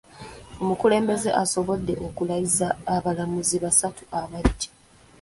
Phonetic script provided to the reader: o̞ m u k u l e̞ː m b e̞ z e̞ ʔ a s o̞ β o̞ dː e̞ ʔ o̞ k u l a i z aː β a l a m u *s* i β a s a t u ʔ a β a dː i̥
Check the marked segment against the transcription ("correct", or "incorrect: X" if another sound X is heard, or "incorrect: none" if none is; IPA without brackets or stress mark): incorrect: z